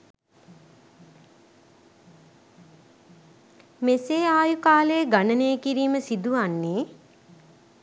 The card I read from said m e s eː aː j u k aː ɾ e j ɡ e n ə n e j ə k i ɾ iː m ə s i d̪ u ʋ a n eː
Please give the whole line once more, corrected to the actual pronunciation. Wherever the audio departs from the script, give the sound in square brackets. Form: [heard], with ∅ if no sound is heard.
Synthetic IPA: m e s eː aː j u k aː [l] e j ɡ [a] n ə n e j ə k i ɾ iː m ə s i d̪ u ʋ a [nː] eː